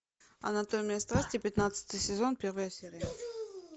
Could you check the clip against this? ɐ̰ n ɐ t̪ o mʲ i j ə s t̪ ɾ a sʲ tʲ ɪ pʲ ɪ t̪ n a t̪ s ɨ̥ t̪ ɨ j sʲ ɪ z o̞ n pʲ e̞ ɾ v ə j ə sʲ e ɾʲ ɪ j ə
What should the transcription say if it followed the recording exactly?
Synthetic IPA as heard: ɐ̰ n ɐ t̪ o mʲ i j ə s t̪ ɾ a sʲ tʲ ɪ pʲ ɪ t̪ n a t̪ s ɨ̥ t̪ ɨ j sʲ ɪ z o̞ n pʲ e̞ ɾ v ə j ə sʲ e ɾʲ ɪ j ə